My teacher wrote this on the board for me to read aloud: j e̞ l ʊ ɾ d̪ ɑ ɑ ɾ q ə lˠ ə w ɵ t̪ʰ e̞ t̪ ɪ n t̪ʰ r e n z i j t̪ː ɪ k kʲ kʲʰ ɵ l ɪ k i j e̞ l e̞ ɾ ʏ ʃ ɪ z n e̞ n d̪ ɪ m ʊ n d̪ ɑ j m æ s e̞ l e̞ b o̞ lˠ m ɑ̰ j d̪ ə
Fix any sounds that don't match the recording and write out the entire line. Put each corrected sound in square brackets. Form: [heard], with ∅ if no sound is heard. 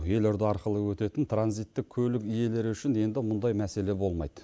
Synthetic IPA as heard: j e̞ l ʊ ɾ d̪ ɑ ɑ ɾ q ə lˠ ə w ɵ [t̪] e̞ t̪ ɪ n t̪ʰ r [a] n z i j t̪ː ɪ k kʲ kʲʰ ɵ l ɪ k i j e̞ l e̞ ɾ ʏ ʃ ɪ [∅] n e̞ n d̪ ɪ m ʊ n d̪ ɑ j m æ s e̞ l e̞ b o̞ lˠ m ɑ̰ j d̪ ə